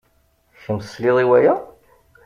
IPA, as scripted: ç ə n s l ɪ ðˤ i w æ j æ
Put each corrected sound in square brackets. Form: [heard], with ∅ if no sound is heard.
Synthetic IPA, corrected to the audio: ç ə [m] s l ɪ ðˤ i w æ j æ